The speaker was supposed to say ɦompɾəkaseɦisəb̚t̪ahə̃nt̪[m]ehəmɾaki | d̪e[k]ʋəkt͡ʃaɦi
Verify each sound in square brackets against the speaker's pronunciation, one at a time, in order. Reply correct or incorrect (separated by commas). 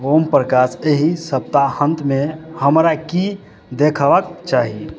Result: correct, incorrect